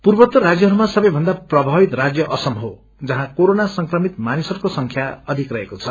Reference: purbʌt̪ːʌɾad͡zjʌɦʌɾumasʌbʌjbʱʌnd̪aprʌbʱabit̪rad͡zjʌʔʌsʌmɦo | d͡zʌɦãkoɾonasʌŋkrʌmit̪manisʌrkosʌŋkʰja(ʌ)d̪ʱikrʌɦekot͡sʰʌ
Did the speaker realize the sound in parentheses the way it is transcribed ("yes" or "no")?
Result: yes